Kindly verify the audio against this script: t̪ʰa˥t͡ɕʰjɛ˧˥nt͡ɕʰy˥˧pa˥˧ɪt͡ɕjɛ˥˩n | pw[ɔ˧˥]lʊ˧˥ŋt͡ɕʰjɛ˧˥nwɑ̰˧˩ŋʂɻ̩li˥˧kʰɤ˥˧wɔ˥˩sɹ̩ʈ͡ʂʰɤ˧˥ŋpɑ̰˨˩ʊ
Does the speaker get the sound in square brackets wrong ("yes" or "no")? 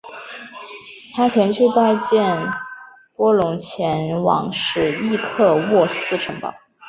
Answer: yes